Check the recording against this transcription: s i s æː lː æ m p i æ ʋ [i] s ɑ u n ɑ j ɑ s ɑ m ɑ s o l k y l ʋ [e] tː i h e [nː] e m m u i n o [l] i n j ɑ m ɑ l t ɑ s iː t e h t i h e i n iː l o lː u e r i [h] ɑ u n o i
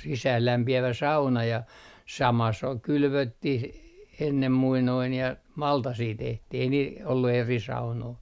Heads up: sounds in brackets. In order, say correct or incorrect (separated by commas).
incorrect, incorrect, correct, incorrect, incorrect